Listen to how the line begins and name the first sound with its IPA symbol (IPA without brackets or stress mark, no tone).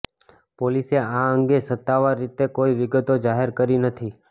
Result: p